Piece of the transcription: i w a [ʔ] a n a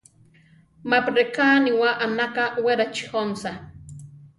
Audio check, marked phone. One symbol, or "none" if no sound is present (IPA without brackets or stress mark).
ʔ